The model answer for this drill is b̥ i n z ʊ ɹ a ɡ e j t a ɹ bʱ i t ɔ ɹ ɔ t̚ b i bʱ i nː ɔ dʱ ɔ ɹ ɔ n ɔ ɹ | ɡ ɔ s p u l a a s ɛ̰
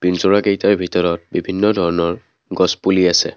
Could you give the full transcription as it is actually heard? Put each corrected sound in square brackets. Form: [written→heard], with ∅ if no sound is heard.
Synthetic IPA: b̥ i n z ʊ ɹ a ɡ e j t a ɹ bʱ i t ɔ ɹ ɔ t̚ b i bʱ i nː ɔ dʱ ɔ ɹ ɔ n ɔ ɹ | ɡ ɔ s p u l [a→i] a s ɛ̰